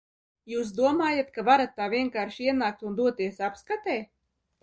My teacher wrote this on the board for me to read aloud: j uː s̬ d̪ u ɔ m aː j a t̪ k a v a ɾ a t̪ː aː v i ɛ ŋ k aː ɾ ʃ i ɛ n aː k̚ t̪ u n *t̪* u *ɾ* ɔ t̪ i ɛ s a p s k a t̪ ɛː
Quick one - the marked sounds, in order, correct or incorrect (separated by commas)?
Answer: incorrect, incorrect